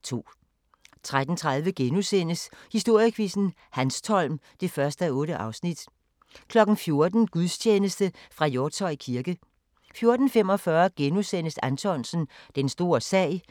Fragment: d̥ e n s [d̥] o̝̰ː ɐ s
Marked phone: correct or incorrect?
correct